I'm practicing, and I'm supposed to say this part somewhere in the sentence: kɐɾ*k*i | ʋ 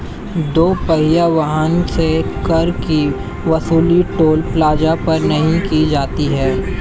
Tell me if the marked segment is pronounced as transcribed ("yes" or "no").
yes